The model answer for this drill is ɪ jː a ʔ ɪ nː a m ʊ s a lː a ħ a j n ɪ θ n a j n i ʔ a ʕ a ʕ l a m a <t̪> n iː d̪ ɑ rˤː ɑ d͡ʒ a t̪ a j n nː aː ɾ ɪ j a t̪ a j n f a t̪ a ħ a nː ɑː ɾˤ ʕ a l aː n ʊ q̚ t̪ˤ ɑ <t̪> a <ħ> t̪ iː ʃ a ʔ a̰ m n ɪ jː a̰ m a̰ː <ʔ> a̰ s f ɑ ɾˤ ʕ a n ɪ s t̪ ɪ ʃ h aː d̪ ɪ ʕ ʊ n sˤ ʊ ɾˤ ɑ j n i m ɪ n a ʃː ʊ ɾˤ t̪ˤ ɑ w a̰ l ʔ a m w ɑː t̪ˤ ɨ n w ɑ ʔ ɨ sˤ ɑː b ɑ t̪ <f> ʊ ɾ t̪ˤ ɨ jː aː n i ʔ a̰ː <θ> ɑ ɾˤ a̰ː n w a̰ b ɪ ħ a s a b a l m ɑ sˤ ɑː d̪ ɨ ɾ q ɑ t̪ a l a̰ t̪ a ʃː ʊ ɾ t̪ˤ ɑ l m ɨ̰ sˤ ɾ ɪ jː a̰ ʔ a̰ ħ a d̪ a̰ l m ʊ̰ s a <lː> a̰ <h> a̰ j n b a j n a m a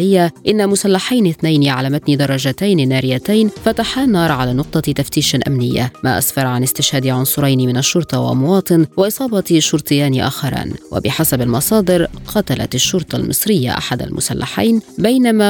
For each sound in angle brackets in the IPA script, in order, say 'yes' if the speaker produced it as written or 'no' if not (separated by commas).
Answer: yes, yes, no, yes, no, no, yes, no